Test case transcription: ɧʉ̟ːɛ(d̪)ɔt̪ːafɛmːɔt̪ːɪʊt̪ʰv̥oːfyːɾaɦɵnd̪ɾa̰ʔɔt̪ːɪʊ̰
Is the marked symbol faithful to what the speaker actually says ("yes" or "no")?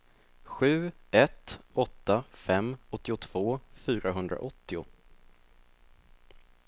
no